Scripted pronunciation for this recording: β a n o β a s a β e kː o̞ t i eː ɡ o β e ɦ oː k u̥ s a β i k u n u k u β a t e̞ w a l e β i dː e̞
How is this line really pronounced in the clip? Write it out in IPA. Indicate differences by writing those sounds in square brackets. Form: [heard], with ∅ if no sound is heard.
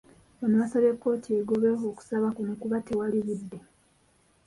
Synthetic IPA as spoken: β a n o β a s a β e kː o̞ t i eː ɡ o β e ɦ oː k u̥ s a β [a] k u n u k u β a t e̞ w a l [i] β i dː e̞